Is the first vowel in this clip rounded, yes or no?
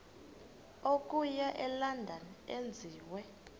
yes